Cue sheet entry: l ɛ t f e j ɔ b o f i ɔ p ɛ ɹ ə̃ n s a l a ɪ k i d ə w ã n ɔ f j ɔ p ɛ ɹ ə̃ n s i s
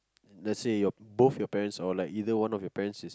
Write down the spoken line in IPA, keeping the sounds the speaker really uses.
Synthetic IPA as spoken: l ɛ t s e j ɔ b o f j ɔ p ɛ ɹ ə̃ n s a l a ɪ k i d ə w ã n ɔ f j ɔ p ɛ ɹ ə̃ n s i s